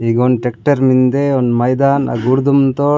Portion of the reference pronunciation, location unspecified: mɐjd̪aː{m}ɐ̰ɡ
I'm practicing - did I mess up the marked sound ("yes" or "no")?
yes